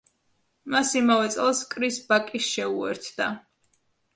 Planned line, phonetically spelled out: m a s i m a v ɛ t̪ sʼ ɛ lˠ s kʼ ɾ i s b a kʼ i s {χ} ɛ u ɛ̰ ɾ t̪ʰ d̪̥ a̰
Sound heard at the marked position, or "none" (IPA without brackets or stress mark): ʃ